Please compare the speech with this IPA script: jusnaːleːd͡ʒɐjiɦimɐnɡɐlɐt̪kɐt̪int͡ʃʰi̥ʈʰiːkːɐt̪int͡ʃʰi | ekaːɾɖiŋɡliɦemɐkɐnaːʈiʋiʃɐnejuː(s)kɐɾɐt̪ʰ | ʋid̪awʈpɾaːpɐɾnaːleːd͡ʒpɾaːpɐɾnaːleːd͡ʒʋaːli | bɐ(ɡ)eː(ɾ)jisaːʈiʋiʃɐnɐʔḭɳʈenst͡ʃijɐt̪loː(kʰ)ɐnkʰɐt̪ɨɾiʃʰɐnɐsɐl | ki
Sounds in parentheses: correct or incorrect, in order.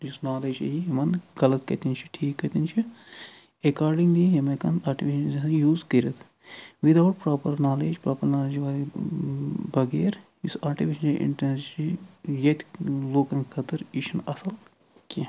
incorrect: z, correct, correct, incorrect: k

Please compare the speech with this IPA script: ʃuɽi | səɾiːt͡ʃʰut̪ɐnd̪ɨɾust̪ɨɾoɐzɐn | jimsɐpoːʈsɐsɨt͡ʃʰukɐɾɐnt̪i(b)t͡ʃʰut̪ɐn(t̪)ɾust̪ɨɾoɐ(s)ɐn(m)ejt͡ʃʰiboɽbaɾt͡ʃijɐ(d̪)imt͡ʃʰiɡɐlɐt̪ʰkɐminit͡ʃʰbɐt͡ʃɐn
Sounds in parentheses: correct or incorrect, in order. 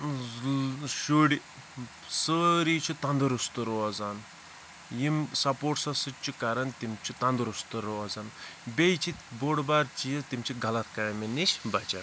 incorrect: m, incorrect: d̪, incorrect: z, incorrect: b, incorrect: t̪

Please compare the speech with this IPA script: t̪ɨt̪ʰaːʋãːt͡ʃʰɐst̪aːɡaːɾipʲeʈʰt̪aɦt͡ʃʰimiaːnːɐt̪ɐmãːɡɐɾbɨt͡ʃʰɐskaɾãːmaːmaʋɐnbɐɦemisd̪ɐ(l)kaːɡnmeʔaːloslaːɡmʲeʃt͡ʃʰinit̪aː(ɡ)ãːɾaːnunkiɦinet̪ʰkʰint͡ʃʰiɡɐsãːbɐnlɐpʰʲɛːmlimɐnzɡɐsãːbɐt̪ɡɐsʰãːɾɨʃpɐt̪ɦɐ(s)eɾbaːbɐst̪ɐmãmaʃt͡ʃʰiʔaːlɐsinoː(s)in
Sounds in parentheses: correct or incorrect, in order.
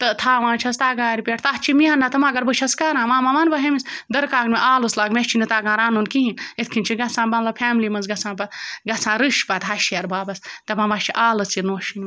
incorrect: ɾ, correct, incorrect: ʃ, incorrect: ʃ

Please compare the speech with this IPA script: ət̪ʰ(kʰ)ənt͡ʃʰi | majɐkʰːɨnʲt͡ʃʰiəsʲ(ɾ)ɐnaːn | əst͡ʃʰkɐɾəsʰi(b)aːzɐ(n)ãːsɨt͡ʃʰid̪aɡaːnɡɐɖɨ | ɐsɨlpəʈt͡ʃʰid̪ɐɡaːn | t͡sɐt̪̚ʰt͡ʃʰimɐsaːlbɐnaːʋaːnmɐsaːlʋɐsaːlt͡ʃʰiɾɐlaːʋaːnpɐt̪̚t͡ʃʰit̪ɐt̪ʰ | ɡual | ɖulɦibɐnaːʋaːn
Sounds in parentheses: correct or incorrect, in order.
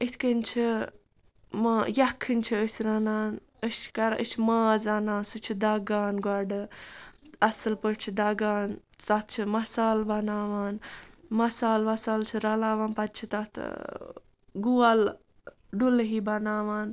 incorrect: k, correct, incorrect: m, correct

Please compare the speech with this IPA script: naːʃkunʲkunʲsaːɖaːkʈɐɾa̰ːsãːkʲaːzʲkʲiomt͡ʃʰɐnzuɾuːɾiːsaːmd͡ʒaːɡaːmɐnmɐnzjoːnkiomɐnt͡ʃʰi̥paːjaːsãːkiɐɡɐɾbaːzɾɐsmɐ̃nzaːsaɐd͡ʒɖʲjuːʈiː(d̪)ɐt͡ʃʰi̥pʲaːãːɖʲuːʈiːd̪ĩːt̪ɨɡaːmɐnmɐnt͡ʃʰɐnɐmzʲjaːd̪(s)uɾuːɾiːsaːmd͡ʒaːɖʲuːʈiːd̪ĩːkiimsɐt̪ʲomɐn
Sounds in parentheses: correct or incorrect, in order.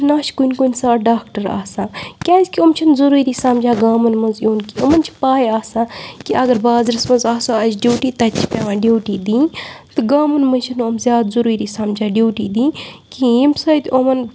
incorrect: t̪, incorrect: z

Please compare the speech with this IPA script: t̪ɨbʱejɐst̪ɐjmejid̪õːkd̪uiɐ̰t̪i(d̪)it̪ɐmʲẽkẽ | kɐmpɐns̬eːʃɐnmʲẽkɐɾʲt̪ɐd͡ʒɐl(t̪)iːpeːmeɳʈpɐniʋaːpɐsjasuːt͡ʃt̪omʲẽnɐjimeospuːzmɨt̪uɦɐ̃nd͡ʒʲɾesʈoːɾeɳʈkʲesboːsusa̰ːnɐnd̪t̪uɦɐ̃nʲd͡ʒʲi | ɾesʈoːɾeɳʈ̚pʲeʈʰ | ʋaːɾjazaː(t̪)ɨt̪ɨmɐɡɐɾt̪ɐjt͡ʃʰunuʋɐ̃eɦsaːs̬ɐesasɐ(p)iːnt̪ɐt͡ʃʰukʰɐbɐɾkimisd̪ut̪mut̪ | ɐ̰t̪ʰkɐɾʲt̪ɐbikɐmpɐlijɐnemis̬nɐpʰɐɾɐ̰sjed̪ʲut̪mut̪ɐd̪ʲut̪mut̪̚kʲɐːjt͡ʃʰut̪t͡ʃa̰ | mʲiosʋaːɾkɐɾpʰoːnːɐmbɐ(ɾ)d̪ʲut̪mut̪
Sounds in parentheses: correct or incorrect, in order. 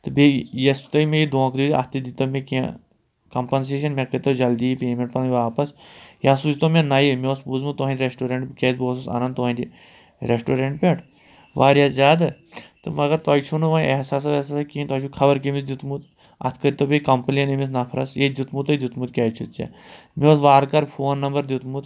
correct, incorrect: d̪, incorrect: d̪, incorrect: k, correct

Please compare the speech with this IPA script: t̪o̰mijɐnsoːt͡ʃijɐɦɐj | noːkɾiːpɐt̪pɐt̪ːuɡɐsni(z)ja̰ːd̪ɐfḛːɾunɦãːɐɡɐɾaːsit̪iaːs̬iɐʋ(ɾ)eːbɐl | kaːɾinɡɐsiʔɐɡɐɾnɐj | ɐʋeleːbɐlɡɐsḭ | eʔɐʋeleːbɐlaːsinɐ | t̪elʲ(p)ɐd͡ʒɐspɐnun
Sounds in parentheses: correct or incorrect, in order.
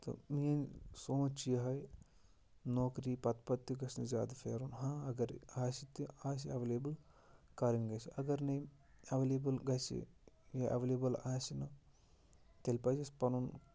correct, incorrect: l, correct

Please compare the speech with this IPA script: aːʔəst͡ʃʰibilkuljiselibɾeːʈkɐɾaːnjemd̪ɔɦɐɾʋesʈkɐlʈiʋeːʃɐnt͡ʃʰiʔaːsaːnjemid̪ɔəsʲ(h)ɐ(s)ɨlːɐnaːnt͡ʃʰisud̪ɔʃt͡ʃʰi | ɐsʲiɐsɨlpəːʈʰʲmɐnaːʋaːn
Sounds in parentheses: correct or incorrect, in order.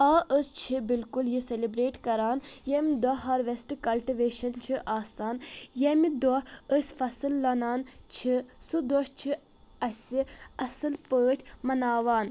incorrect: f, correct

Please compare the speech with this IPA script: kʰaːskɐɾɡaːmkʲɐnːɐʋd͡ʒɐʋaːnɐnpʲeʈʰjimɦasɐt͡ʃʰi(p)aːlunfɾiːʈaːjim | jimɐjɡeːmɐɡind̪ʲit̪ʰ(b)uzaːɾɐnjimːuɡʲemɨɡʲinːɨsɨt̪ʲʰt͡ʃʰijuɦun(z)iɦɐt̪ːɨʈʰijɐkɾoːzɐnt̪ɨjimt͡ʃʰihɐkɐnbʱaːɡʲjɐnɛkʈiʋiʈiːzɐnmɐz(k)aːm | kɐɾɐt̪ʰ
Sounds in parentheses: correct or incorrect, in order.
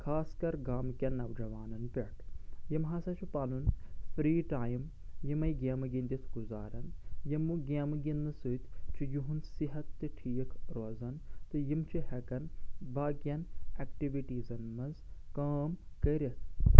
correct, incorrect: ɡ, incorrect: s, correct

